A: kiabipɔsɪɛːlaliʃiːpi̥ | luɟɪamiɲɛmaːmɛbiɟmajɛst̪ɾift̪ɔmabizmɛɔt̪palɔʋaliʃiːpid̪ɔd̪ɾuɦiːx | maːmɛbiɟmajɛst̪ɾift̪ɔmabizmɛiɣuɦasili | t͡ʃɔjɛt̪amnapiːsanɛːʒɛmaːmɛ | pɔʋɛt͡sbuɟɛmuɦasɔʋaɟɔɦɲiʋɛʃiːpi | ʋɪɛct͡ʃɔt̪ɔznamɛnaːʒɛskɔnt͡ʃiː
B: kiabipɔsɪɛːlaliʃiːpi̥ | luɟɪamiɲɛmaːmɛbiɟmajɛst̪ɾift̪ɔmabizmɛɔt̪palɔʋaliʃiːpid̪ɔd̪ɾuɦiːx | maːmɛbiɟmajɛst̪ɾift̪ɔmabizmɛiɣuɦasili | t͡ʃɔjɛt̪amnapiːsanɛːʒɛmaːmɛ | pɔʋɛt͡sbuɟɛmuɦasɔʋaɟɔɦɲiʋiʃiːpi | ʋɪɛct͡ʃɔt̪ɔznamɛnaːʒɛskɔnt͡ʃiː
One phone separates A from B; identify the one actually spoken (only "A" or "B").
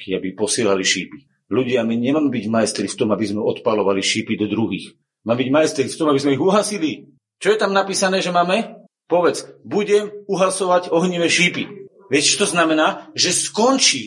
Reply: A